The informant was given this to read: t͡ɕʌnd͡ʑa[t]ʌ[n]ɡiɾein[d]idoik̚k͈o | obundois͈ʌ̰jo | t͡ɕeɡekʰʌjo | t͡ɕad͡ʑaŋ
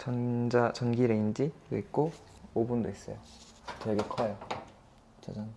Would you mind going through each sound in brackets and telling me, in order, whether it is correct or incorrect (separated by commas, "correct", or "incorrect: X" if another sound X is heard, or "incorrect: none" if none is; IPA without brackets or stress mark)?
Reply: incorrect: t͡ɕ, correct, incorrect: d͡ʑ